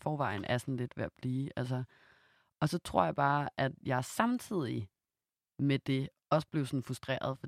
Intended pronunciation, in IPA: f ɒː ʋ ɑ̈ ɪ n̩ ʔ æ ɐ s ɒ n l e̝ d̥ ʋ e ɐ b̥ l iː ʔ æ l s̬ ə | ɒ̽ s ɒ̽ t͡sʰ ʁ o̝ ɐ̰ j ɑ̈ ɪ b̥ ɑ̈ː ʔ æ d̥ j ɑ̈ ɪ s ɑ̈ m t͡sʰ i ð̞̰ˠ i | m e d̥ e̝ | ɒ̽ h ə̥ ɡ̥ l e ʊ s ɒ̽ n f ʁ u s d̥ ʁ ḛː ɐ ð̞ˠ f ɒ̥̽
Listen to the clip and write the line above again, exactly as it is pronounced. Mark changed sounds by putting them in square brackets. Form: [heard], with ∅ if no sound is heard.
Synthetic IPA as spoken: f ɒː ʋ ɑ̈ ɪ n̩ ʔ æ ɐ s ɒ n l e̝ d̥ ʋ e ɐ b̥ l iː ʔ æ l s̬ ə | ɒ̽ s ɒ̽ t͡sʰ ʁ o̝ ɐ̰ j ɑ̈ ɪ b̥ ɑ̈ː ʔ æ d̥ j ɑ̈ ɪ s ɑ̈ m t͡sʰ i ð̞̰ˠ i | m e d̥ e̝ | ɒ̽ [s] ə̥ [b̥] l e ʊ s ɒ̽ n f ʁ u s d̥ ʁ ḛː ɐ ð̞ˠ f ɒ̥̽